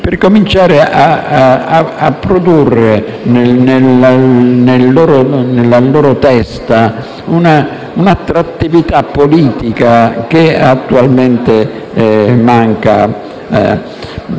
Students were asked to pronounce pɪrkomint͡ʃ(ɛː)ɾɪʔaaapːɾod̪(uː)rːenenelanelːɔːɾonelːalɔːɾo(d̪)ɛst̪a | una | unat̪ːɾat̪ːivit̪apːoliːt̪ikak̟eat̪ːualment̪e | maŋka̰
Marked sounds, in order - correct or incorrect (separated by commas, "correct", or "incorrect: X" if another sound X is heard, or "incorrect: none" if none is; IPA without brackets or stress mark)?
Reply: incorrect: aː, incorrect: u, incorrect: t̪